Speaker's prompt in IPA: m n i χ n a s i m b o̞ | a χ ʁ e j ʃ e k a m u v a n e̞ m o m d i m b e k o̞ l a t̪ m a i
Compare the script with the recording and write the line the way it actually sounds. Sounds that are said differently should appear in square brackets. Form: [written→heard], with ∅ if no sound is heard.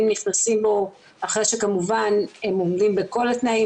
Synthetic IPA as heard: m n i χ n a s i m b o̞ | a χ ʁ e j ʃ e k a m u v a n e̞ m o m d i m b e k o̞ l a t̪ [m→n] a i